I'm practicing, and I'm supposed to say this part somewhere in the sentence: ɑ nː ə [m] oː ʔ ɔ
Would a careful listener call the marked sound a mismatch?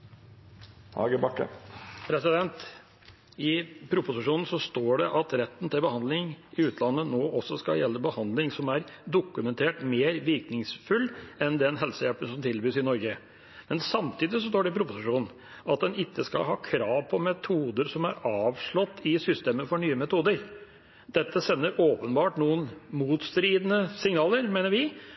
yes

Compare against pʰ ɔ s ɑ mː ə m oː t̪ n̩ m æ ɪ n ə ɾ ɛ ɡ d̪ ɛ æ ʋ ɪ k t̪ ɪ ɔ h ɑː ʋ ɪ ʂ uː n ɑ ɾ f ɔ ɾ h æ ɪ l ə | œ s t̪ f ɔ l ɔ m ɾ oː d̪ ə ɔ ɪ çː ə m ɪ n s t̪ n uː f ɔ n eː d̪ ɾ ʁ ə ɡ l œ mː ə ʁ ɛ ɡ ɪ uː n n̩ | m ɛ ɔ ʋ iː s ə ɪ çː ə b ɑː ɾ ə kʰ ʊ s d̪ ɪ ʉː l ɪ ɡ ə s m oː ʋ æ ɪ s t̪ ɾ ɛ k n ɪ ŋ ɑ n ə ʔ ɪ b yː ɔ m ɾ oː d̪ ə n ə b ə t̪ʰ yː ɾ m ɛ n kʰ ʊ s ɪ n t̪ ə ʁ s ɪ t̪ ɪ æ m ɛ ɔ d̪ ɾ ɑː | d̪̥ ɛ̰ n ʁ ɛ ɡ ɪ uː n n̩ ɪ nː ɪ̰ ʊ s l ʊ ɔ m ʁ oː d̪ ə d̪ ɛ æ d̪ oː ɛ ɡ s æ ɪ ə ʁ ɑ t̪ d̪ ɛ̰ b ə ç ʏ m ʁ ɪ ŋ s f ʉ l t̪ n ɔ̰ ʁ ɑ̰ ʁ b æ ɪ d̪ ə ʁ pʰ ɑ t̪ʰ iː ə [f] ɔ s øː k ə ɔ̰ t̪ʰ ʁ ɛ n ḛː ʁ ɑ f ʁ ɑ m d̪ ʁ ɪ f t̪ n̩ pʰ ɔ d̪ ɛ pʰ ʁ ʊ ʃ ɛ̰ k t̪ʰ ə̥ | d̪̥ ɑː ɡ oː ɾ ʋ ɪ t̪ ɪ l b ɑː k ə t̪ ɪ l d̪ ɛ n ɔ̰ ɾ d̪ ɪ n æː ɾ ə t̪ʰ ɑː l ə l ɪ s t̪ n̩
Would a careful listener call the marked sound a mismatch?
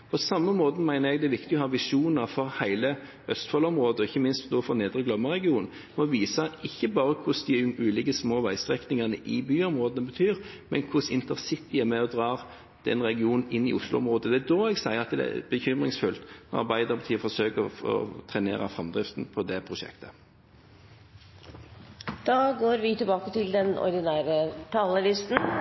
no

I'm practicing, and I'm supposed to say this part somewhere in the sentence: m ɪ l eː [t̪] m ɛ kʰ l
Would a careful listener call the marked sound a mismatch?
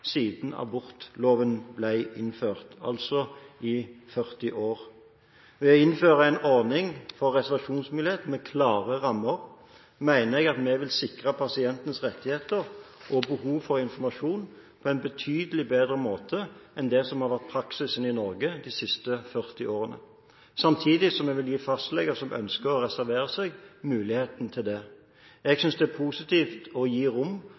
no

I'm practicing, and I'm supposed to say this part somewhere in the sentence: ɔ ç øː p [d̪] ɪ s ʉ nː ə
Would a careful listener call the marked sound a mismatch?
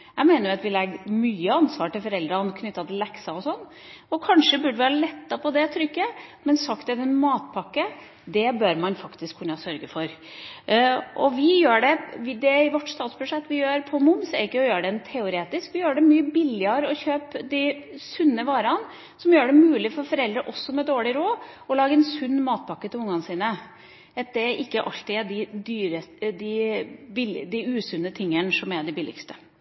no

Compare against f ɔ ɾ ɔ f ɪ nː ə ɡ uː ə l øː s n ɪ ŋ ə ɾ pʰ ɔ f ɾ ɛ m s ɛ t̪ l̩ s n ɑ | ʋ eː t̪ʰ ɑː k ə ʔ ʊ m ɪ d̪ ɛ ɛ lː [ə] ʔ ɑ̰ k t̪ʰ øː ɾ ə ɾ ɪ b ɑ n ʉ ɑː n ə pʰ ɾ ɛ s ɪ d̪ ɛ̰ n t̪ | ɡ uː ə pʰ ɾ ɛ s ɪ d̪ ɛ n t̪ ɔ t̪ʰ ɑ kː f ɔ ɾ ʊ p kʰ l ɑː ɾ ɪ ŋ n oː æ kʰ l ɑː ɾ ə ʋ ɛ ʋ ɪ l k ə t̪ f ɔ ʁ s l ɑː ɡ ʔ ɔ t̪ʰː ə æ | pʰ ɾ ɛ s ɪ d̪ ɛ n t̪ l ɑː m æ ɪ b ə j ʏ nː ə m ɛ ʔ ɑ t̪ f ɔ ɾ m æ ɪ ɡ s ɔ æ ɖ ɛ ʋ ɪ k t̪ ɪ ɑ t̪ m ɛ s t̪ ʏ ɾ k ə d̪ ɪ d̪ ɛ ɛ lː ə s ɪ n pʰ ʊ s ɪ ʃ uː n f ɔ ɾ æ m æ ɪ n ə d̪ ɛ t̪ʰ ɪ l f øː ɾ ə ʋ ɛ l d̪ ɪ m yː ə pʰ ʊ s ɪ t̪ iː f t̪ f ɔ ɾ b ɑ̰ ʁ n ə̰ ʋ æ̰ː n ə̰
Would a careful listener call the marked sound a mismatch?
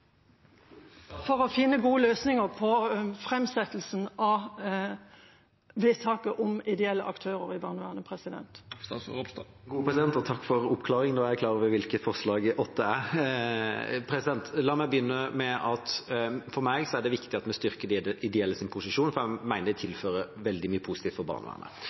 no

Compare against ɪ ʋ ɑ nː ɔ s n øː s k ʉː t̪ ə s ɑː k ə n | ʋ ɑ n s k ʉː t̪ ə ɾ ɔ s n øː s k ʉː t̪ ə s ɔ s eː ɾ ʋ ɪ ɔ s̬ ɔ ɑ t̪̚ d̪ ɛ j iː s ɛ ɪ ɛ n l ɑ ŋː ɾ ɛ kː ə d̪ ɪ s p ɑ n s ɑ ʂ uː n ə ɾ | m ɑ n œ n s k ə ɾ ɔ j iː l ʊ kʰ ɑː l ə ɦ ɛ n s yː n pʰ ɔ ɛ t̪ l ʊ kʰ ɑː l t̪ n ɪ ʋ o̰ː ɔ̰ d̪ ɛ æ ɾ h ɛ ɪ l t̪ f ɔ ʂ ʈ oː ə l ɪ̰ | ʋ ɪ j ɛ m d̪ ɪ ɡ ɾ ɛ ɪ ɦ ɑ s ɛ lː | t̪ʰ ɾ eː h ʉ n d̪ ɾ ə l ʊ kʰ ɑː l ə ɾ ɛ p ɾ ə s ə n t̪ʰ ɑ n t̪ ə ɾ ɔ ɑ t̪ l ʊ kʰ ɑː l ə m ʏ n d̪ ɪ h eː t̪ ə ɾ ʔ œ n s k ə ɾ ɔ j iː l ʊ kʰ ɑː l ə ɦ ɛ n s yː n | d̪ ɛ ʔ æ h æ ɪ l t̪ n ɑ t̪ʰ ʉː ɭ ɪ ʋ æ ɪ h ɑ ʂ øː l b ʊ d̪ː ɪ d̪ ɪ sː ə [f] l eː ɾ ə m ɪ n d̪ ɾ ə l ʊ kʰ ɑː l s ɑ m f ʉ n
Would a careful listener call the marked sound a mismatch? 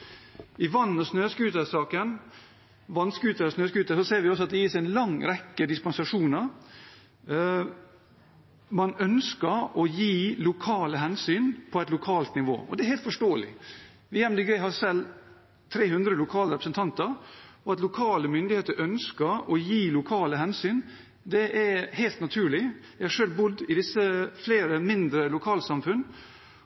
no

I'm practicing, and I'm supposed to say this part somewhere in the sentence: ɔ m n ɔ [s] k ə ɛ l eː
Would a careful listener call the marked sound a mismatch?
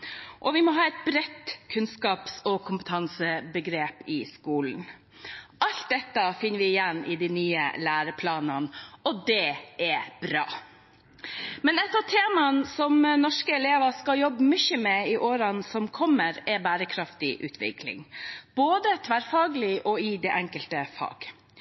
yes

